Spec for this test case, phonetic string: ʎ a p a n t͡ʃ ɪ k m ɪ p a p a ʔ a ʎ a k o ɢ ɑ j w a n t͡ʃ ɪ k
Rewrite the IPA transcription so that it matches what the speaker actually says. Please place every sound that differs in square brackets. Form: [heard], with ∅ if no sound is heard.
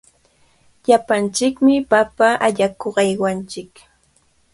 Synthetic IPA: ʎ a p a n t͡ʃ ɪ k m ɪ p a p a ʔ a ʎ a k o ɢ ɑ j w a n t͡ʃ ɪ k